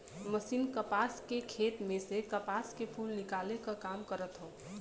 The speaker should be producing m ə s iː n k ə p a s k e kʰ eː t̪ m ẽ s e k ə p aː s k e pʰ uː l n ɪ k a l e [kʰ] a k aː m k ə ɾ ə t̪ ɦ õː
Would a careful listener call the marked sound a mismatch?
yes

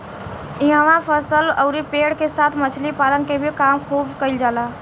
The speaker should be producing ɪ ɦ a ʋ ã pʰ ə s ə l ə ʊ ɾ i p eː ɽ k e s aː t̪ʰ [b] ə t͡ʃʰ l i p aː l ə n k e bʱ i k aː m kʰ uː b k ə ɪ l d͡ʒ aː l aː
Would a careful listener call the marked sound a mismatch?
yes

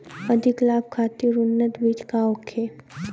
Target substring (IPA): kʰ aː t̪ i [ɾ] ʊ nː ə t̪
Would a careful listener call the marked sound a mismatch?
no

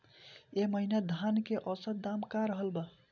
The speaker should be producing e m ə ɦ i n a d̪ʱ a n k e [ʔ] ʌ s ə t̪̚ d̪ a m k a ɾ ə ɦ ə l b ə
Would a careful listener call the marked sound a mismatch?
no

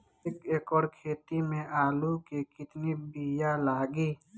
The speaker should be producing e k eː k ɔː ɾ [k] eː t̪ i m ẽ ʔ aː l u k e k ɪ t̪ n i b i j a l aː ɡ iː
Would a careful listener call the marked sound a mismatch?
yes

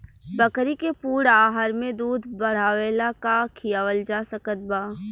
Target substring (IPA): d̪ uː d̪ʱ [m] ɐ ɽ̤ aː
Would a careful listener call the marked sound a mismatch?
yes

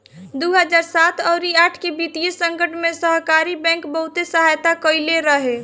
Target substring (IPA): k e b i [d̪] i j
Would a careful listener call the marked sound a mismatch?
yes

